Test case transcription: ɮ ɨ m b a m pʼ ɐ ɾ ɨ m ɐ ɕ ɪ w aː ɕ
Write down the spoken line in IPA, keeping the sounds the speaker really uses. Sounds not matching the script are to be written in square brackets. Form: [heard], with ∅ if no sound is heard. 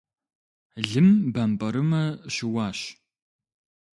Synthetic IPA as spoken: ɮ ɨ m b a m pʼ ɐ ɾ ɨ m ɐ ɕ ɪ w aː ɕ